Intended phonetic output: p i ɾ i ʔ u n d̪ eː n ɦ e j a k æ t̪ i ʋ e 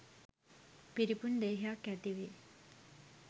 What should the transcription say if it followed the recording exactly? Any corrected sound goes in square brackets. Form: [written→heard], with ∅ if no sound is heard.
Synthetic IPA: p i ɾ i [ʔ→p] u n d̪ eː [n→∅] ɦ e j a k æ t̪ i ʋ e